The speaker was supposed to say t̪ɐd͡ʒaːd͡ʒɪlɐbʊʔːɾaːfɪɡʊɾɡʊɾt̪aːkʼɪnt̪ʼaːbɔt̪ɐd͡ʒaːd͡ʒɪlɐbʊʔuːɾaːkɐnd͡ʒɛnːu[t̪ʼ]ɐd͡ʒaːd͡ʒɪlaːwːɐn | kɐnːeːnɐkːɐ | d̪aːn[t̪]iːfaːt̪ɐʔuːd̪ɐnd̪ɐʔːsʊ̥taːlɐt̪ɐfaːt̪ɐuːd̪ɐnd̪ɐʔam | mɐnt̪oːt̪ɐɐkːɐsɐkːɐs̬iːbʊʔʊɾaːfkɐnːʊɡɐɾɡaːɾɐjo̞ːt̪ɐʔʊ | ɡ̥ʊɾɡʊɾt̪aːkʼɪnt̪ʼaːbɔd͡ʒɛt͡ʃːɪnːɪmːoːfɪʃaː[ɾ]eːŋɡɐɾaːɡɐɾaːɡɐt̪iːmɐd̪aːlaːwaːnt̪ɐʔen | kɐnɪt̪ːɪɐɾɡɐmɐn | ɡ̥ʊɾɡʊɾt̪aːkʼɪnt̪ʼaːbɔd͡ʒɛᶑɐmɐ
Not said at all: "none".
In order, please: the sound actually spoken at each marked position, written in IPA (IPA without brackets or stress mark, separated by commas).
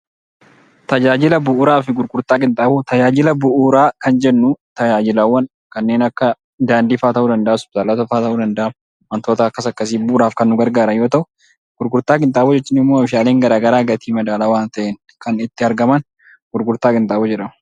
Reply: t̪, d̪, l